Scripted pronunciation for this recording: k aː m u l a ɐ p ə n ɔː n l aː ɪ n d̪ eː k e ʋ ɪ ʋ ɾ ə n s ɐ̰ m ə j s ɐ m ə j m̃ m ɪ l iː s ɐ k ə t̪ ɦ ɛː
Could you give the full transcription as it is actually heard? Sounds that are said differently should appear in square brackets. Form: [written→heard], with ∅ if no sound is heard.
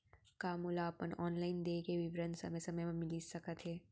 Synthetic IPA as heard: k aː m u l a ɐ p ə n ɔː n l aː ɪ n d̪ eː k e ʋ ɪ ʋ ɾ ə n s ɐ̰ m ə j s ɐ m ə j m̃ m ɪ l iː s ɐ k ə t̪ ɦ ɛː